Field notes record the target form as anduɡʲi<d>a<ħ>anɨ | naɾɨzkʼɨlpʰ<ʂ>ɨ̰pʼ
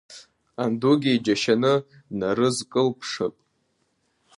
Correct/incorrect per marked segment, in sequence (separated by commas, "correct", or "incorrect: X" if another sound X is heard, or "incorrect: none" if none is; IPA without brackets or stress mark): incorrect: d͡ʒ, incorrect: ʃ, correct